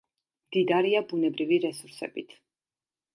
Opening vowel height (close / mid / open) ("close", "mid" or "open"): close